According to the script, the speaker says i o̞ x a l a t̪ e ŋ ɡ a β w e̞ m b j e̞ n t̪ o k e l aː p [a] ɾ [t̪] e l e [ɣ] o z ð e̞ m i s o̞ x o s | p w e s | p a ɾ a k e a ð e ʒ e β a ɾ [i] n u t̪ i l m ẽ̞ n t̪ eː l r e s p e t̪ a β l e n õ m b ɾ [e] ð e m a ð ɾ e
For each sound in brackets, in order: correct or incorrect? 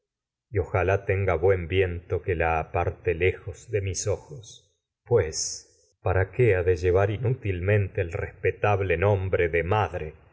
correct, correct, incorrect, correct, correct

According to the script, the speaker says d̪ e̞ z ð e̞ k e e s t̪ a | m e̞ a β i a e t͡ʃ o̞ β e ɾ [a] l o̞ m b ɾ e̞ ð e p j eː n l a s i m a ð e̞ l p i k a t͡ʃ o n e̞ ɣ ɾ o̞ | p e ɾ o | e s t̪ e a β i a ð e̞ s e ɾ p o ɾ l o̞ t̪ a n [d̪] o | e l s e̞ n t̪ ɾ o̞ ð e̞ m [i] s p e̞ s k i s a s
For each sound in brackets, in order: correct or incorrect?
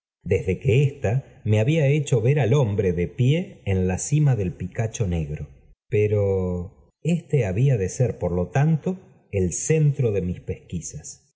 correct, incorrect, correct

